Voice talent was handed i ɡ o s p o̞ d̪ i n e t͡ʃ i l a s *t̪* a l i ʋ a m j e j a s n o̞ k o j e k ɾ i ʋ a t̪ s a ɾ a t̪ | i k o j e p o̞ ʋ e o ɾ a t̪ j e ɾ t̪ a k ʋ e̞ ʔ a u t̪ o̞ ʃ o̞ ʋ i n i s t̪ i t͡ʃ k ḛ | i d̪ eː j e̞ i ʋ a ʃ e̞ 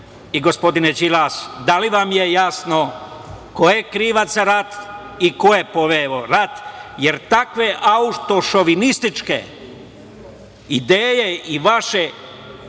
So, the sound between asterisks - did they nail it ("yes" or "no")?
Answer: no